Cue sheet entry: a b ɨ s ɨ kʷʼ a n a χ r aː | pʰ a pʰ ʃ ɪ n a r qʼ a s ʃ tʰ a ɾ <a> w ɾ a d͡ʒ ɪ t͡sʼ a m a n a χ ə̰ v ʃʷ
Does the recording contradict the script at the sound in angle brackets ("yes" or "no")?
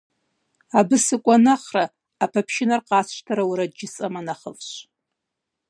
no